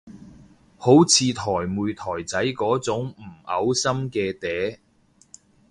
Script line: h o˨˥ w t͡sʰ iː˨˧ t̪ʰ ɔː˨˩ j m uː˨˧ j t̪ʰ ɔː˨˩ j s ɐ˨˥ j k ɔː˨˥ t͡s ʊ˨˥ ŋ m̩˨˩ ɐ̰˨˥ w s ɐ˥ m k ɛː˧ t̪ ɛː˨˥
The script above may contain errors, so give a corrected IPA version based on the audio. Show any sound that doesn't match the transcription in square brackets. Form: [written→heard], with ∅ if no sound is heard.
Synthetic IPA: h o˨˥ w t͡sʰ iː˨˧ t̪ʰ ɔː˨˩ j m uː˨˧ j t̪ʰ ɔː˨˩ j [s→t͡s] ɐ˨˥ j k ɔː˨˥ t͡s ʊ˨˥ ŋ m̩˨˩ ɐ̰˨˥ w s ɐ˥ m k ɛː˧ t̪ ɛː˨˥